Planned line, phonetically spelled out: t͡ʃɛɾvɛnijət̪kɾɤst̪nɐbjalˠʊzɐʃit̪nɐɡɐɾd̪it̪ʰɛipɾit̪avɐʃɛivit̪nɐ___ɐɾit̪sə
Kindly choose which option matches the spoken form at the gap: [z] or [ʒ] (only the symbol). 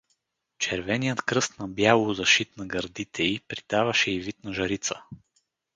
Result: ʒ